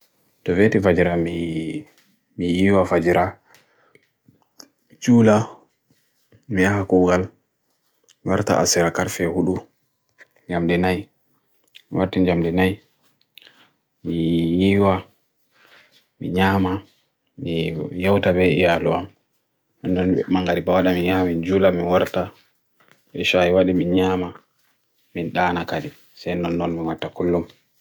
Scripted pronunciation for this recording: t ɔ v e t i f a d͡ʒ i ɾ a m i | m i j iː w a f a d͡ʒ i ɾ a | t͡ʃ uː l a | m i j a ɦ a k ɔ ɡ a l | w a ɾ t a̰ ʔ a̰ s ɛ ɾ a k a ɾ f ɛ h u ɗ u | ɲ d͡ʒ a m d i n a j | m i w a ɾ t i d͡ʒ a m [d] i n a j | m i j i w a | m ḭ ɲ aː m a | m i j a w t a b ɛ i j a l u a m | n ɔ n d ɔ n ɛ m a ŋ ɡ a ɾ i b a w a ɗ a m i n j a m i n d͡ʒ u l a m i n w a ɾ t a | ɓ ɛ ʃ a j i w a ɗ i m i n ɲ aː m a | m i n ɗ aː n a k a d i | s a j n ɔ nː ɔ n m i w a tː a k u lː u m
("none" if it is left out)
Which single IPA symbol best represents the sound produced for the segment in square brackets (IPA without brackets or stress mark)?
d